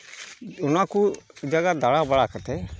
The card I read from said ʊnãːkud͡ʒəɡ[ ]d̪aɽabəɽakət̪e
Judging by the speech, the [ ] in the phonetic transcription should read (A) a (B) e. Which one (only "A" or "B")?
A